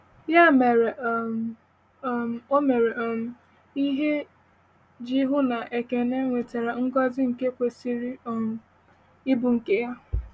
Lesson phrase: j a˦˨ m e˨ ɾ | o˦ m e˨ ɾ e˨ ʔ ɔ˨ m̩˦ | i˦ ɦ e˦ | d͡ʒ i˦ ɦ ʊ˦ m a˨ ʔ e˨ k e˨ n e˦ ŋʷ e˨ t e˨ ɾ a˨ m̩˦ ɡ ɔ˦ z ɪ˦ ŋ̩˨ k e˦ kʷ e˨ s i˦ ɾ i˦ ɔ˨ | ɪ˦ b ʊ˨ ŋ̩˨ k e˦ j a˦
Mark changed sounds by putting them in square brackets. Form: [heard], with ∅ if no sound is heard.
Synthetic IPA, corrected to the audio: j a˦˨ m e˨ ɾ | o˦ m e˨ ɾ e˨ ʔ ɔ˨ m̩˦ | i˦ ɦ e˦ | d͡ʒ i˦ ɦ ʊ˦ [n] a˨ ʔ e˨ k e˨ n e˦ ŋʷ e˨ t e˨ ɾ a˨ [ŋ̩˦] ɡ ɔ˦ z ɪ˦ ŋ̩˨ k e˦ kʷ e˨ s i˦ ɾ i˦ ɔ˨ | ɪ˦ b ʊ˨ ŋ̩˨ k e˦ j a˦